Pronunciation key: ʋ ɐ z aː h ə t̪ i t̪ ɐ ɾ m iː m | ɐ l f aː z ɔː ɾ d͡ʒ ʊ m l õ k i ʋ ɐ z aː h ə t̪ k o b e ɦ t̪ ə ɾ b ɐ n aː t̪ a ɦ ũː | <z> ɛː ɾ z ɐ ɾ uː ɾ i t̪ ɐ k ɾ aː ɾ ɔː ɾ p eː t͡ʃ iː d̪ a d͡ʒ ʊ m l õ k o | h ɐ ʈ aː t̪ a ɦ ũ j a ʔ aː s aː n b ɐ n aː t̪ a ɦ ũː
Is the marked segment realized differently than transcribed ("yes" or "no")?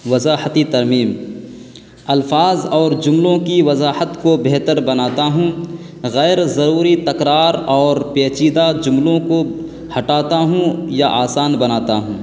yes